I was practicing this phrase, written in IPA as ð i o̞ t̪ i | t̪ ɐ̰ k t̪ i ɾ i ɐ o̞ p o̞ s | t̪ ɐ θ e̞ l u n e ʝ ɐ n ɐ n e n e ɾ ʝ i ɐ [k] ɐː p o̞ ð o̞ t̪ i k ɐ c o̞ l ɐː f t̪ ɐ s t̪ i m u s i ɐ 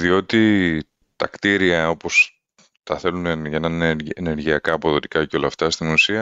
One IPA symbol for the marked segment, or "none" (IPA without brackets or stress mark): k